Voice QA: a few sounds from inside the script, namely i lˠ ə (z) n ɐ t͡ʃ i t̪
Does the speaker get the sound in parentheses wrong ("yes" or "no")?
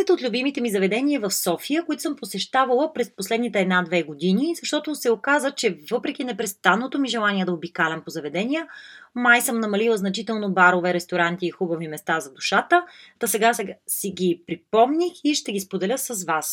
no